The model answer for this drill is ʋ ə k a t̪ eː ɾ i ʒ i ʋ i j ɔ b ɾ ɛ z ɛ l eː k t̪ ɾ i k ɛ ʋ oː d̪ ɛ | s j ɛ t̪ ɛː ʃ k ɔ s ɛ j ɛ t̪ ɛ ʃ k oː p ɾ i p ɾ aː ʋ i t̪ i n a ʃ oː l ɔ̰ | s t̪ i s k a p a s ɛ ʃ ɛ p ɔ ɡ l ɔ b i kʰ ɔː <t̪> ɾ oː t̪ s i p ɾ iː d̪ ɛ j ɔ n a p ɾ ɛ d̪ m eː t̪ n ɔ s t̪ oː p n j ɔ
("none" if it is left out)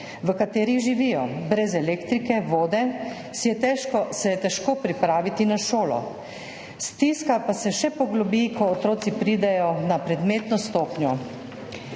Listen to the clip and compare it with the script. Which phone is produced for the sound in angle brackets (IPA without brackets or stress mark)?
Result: t̪